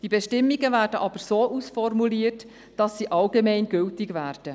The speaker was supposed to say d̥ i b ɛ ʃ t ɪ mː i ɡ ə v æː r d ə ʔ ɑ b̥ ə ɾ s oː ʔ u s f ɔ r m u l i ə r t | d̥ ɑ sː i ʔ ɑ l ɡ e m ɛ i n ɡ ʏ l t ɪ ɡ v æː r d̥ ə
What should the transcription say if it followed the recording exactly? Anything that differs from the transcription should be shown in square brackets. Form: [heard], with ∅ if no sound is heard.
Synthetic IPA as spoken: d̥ i b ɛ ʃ t ɪ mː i ɡ ə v æː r d ə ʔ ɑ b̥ ə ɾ s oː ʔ u s f ɔ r m u l i ə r t | d̥ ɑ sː i ʔ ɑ l ɡ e m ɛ [ɪ] n ɡ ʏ l t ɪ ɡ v æː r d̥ ə

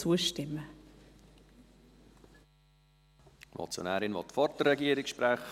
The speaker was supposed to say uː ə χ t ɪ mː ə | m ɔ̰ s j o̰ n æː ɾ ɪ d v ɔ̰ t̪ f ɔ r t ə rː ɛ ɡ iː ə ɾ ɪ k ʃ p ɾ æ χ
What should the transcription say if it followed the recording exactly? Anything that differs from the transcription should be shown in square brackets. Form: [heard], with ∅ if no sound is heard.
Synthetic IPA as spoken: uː ə [ʃ] t ɪ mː ə | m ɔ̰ [t͡s] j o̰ n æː ɾ ɪ [n] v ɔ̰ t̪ f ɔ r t ə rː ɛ ɡ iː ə ɾ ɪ k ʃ p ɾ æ χ

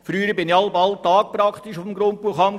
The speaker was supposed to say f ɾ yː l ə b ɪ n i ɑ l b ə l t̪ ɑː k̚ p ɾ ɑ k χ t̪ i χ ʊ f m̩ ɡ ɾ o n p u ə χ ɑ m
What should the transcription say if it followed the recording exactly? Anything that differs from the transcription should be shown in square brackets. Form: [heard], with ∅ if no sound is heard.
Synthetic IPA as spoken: f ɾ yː [ɾ] ə b ɪ n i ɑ l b [ɑ] l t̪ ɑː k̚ p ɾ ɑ k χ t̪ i [ʃ] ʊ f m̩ ɡ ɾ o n p u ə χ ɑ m

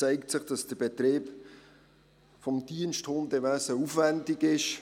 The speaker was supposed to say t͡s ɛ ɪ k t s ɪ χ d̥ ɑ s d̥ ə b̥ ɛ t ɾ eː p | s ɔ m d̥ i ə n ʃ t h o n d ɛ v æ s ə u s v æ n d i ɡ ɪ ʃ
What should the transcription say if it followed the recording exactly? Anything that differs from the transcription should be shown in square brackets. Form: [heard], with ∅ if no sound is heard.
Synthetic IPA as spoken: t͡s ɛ ɪ k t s ɪ χ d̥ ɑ s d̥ ə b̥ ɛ t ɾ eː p | [f] ɔ m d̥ i ə n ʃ t h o n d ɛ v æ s ə u [f] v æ n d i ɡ ɪ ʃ

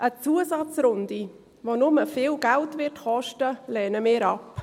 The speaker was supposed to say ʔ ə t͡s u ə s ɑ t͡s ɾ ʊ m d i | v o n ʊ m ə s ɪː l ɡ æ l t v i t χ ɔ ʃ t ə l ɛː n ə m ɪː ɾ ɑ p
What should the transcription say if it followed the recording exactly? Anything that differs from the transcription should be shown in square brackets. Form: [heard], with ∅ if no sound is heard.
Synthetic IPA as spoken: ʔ ə t͡s u ə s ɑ t͡s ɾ ʊ [n] d i | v o n ʊ m ə [f] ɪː l ɡ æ l t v [ɪ] t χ ɔ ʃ t ə l ɛː n ə m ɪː ɾ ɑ p

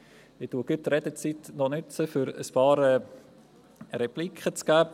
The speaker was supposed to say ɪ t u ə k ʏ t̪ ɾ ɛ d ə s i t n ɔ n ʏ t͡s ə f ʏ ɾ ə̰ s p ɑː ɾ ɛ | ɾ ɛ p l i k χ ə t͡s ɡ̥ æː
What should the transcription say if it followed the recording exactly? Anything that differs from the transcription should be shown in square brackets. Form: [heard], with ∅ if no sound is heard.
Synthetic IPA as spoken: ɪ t u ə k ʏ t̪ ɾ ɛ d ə [t͡s] i t n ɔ n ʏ t͡s ə f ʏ ɾ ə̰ s p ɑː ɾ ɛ | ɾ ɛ p l i k χ ə t͡s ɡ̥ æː

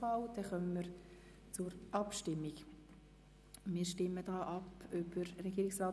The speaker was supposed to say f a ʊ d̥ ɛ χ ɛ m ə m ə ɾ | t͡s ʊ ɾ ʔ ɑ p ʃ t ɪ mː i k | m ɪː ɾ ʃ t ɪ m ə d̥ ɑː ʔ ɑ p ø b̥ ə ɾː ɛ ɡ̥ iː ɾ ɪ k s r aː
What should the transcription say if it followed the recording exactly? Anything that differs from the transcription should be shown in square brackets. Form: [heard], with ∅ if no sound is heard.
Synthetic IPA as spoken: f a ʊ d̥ ɛ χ [œ] m ə m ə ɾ | t͡s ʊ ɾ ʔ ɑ p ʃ t ɪ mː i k | m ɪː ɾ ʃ t ɪ m ə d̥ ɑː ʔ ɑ p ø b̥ ə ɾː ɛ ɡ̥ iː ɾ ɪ k s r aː

